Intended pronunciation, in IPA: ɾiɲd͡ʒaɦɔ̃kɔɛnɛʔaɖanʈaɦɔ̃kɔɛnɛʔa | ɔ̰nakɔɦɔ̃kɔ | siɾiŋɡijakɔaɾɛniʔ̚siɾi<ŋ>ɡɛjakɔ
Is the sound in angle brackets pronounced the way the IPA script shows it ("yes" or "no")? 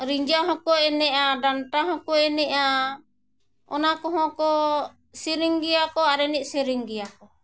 yes